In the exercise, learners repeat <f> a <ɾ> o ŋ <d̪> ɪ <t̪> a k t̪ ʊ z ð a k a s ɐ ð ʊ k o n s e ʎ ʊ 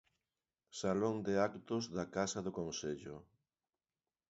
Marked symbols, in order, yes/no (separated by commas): no, no, yes, no